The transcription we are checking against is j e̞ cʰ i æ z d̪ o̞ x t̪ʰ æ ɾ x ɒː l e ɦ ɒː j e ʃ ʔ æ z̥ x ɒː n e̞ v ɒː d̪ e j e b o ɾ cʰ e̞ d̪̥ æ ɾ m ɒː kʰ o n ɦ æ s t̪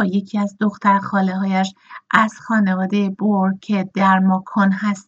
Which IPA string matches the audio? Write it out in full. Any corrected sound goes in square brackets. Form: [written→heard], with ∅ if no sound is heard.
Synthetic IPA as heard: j e̞ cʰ i æ z d̪ o̞ x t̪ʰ æ ɾ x ɒː l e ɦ ɒː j [e→æ] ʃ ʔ æ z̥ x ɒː n e̞ v ɒː d̪ e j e b o ɾ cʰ e̞ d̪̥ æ ɾ m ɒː kʰ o n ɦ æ s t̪